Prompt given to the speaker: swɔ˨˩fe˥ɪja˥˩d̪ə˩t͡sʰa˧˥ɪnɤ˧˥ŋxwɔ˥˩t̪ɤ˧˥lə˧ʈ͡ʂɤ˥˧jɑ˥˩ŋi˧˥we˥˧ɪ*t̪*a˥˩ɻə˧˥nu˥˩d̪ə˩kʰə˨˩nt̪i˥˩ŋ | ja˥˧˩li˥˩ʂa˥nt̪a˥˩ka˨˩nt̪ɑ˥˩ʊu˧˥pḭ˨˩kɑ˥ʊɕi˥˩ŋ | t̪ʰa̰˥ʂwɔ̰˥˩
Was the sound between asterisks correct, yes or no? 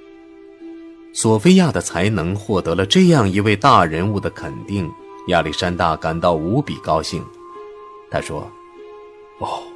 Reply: yes